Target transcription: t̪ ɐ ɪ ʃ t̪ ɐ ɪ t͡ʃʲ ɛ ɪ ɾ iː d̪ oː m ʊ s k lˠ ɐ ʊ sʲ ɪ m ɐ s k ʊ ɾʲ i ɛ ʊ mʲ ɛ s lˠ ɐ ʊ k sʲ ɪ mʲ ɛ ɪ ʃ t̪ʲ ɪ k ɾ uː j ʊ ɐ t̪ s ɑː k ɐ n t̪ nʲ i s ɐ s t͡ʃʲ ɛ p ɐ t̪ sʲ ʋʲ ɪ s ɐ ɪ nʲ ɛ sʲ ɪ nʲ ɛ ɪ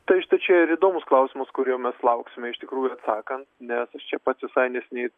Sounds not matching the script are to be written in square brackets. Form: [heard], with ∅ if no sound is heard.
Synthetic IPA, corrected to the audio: t̪ ɐ ɪ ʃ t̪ ɐ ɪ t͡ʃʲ ɛ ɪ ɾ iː d̪ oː m ʊ s k lˠ ɐ ʊ sʲ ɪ m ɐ s k ʊ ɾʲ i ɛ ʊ mʲ ɛ s lˠ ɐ ʊ k sʲ ɪ mʲ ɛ ɪ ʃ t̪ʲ ɪ k ɾ uː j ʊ ɐ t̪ s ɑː k ɐ n t̪ nʲ [ɛ] s ɐ [ʃ] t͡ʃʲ ɛ p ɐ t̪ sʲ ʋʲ ɪ s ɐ ɪ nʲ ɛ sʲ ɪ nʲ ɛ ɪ